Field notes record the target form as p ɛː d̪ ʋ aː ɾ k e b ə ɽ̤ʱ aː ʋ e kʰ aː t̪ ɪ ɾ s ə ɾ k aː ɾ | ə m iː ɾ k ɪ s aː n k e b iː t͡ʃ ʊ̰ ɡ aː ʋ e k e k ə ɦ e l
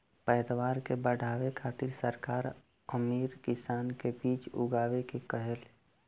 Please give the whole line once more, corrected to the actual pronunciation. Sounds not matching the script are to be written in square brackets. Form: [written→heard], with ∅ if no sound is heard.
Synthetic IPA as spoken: p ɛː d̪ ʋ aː ɾ k e b ə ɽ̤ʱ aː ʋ e kʰ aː t̪ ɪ ɾ s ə ɾ k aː ɾ | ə m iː ɾ k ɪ s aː n k e b iː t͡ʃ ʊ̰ ɡ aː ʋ e k e k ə ɦ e l